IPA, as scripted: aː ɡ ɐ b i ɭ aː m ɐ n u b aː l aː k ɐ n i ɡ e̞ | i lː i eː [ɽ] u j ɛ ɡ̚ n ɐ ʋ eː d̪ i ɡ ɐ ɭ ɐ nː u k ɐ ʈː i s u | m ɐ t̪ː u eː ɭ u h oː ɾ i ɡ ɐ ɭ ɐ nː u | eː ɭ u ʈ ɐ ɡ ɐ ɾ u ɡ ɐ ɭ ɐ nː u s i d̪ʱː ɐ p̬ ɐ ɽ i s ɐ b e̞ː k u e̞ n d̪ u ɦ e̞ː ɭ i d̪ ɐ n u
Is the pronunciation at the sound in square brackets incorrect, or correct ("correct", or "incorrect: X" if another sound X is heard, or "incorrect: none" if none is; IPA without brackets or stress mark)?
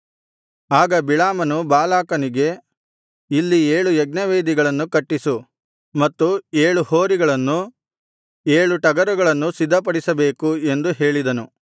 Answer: incorrect: ɭ